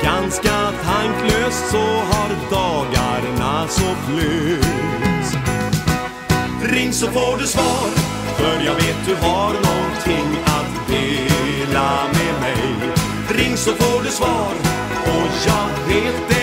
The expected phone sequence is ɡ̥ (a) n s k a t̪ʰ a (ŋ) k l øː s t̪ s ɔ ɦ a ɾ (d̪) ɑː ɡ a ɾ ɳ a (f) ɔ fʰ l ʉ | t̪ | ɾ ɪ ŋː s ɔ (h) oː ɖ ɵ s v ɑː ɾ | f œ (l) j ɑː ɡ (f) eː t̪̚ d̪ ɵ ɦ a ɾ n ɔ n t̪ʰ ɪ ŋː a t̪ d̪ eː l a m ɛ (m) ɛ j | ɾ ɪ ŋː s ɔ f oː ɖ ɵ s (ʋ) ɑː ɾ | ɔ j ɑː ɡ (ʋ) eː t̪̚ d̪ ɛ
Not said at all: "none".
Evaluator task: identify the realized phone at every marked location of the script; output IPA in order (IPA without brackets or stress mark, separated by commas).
a, ŋ, d̪, s, f, ɾ, v, m, v, v